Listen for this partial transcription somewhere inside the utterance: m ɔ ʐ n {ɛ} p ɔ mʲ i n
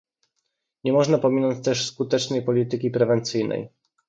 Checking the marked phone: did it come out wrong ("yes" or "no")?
yes